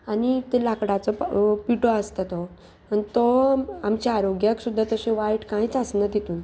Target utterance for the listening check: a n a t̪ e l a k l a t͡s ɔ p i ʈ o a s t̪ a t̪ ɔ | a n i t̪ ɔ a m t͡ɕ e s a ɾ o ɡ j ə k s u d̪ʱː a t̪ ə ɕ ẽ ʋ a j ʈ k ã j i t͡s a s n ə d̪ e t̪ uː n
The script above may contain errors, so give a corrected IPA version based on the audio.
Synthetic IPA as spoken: a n i t̪ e l a k ɽ a t͡s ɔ p i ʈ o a s t̪ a t̪ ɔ | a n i t̪ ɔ a m t͡ɕ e a ɾ o ɡ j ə k s u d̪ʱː a t̪ ə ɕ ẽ ʋ a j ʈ k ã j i t͡s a s n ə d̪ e t̪ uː n